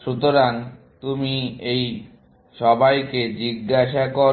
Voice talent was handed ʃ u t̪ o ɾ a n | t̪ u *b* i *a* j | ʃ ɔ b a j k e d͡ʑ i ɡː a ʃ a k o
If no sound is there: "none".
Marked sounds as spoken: m, e

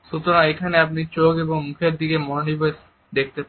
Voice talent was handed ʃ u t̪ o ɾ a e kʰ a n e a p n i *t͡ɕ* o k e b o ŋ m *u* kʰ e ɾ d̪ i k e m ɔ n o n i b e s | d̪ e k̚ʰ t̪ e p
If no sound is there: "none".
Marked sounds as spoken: t͡ɕ, u

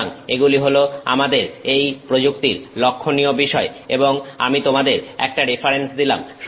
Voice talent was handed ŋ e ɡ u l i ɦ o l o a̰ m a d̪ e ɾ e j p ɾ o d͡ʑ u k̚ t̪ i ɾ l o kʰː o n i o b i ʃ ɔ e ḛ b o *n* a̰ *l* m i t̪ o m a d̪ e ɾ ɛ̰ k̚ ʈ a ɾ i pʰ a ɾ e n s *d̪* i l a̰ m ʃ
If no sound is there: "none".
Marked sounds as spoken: ŋ, none, d̪

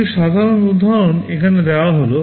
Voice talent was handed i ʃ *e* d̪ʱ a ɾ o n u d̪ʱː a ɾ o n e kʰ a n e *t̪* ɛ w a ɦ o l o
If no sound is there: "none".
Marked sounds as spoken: a, d̪

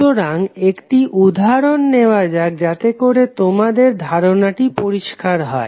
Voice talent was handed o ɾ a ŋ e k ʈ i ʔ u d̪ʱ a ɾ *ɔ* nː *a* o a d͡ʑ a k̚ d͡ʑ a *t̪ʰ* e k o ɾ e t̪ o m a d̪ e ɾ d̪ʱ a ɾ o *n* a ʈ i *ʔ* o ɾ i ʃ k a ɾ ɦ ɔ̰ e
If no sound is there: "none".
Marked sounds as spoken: o, e, t̪, n, p

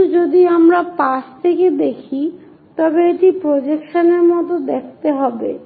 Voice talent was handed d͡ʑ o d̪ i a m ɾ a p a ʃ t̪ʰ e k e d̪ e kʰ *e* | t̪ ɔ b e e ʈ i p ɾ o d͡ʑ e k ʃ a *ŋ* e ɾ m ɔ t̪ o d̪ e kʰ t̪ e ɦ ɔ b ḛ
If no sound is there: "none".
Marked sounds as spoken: i, n

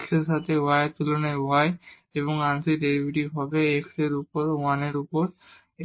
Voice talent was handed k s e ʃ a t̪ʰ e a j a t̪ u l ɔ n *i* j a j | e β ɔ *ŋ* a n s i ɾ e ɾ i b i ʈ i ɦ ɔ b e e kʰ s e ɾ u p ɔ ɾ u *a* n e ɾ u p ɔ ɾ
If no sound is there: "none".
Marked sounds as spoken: a, ŋ, a

